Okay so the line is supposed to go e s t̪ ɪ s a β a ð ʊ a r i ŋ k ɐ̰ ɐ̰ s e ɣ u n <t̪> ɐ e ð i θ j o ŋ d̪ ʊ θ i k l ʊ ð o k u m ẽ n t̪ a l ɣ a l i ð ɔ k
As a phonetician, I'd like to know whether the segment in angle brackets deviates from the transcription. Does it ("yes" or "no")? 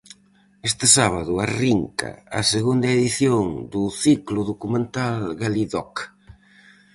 yes